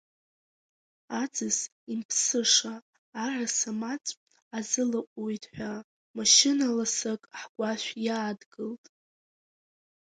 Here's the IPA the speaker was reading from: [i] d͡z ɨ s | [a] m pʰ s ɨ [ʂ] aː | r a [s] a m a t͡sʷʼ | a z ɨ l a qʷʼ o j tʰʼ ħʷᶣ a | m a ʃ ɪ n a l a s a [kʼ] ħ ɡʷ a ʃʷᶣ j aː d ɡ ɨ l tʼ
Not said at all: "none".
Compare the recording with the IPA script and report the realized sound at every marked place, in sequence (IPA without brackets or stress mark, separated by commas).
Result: a, i, ʂ, s, kʼ